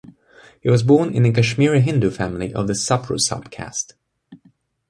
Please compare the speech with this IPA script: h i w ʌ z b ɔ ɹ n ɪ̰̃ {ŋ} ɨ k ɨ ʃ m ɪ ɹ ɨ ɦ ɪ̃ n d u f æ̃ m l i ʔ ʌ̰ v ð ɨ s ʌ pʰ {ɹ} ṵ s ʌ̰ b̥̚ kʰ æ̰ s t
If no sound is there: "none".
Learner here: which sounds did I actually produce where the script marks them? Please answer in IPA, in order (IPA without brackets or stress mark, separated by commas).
n, ɹ